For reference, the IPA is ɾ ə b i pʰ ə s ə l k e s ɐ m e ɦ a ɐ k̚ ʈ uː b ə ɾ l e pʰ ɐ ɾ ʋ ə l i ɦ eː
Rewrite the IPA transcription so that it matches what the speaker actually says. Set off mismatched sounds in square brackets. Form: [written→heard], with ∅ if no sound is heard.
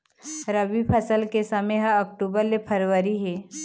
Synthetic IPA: ɾ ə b i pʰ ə s ə l k e s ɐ m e ɦ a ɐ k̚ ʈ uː b ə ɾ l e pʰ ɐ ɾ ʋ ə [l→ɾ] i ɦ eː